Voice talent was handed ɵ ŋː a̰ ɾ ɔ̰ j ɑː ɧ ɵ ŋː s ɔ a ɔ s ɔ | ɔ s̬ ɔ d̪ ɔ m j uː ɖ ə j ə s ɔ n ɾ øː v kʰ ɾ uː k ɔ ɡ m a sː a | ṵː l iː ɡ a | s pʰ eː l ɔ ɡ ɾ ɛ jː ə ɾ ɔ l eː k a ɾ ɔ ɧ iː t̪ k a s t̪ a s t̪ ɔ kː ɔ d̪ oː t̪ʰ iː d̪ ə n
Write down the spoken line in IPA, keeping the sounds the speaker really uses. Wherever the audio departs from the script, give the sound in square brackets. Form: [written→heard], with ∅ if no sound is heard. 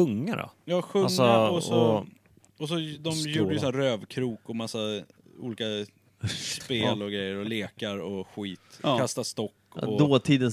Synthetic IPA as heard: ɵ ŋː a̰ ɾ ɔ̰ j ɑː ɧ ɵ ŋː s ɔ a ɔ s ɔ | ɔ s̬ ɔ d̪ ɔ m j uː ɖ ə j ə s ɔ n ɾ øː v kʰ ɾ uː k ɔ [ɡ→∅] m a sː a | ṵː l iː [ɡ→k] a | s [pʰ→p] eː l ɔ ɡ ɾ ɛ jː ə ɾ ɔ l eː k a ɾ ɔ ɧ iː t̪ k a s t̪ a s t̪ ɔ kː ɔ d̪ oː t̪ʰ iː d̪ ə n